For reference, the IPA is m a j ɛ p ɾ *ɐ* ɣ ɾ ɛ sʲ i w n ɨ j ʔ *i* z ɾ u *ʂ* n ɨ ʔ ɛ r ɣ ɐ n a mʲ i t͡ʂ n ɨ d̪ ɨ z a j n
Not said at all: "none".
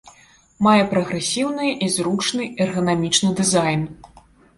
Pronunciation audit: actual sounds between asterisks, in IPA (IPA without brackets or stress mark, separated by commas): ɐ, i, t͡ʂ